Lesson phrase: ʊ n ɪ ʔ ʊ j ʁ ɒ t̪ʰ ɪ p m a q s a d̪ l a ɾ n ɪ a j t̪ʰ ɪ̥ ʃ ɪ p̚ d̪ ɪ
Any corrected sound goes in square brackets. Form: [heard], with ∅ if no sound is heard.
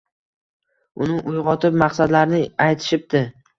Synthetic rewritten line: ʊ n ɪ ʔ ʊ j ʁ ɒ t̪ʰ ɪ p m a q s a d̪ l a ɾ n ɪ a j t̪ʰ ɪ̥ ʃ ɪ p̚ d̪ ɪ